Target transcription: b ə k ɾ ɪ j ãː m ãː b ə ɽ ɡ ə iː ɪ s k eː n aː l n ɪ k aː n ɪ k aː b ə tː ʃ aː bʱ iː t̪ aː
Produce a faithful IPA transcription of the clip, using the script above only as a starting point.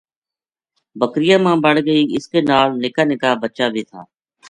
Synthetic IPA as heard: b ə k ɾ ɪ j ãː m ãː b ə ɽ ɡ ə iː ɪ s k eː n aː l n ɪ k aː n ɪ k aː b ə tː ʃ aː bʱ iː t̪ʰ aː

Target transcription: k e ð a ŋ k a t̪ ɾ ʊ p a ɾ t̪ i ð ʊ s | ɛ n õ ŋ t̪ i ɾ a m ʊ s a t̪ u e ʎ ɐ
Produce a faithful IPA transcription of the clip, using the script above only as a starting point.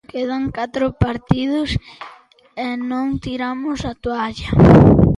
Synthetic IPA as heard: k e ð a ŋ k a t̪ ɾ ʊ p a ɾ t̪ i ð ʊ s | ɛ n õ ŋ t̪ i ɾ a m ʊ s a t̪ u a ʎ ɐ

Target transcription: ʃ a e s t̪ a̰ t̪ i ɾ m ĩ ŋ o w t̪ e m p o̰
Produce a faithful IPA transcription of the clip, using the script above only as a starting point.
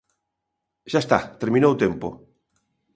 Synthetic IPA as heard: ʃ a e s t̪ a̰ t̪ e ɾ m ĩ n o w t̪ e m p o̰

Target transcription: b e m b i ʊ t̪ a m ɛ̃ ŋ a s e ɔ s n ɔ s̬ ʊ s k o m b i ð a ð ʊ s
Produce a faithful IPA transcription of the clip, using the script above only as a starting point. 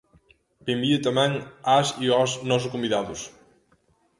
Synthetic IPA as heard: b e m b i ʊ t̪ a m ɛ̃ ŋ a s i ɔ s n ɔ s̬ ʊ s k o m b i ð a ð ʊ s

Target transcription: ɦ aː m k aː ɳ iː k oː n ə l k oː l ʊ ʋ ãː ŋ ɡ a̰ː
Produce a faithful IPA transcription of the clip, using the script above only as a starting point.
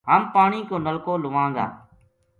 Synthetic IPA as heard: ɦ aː m p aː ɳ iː k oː n ə l k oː l ʊ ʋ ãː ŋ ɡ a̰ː

